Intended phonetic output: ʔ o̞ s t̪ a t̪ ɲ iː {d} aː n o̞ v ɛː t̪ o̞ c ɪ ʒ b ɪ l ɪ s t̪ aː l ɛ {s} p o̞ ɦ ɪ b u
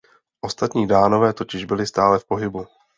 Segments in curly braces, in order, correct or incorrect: correct, incorrect: f

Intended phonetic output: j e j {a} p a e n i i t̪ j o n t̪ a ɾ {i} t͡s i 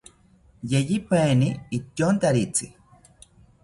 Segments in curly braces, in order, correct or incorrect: incorrect: i, correct

